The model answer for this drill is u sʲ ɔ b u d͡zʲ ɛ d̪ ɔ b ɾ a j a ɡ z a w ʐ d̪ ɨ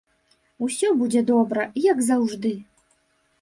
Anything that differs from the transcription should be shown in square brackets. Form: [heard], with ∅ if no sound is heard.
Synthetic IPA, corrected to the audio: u sʲ ɔ b u d͡zʲ ɛ d̪ ɔ b ɾ [ɐ] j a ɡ z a w ʐ d̪ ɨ